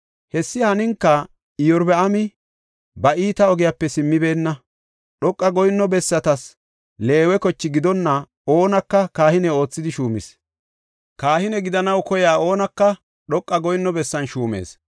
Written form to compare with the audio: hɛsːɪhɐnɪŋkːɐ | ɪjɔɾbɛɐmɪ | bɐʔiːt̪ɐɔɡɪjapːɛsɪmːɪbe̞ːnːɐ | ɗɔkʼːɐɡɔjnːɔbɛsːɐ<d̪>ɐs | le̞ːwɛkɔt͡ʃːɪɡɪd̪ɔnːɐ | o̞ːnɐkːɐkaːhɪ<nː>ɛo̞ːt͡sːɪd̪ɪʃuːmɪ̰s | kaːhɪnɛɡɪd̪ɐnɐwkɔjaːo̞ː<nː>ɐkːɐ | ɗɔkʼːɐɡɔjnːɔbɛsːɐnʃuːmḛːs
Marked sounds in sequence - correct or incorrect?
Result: incorrect: t̪, incorrect: n, incorrect: n

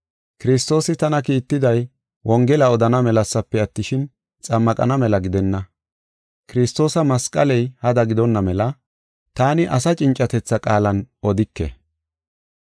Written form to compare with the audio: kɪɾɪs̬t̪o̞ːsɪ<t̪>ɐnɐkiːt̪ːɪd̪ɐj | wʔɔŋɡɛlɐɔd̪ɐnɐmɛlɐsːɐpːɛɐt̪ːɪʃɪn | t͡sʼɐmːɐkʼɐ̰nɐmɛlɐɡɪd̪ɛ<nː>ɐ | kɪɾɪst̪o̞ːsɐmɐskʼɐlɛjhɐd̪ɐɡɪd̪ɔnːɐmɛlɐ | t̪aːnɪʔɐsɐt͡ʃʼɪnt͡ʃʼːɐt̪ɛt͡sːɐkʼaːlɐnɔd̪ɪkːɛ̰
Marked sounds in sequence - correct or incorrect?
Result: correct, correct

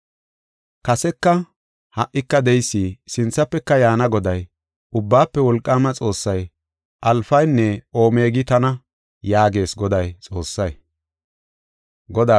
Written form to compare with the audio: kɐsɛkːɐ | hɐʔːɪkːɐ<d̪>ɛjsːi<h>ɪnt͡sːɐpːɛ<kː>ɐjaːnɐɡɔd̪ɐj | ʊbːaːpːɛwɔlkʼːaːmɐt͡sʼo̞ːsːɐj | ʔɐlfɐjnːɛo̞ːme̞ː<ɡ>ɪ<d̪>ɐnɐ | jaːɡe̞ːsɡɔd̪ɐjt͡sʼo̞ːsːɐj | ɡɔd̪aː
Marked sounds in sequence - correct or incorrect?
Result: correct, incorrect: s, correct, correct, incorrect: t̪

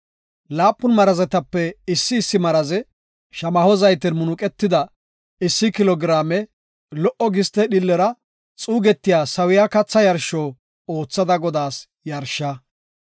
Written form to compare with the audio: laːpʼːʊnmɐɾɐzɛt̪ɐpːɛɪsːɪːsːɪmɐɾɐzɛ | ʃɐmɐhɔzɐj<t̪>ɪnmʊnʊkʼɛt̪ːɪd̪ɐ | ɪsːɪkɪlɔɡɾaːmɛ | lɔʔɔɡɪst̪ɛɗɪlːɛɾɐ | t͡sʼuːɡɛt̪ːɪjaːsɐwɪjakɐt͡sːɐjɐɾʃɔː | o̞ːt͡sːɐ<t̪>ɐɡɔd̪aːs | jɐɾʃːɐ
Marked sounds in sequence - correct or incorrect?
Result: correct, incorrect: d̪

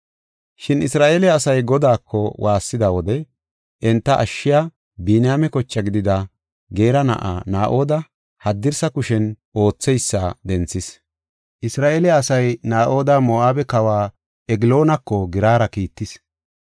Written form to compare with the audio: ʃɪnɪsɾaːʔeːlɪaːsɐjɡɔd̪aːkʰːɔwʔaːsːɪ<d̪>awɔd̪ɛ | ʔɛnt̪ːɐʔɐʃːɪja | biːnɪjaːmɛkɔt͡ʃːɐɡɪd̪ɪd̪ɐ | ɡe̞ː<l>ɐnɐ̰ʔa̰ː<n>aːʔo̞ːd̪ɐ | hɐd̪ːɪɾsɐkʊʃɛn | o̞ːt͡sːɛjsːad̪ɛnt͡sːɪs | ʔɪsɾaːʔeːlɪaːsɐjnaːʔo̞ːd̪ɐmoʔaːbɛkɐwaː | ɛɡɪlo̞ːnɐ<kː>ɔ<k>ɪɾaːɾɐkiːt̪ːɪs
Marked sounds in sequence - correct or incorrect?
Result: correct, incorrect: ɾ, correct, correct, incorrect: ɡ

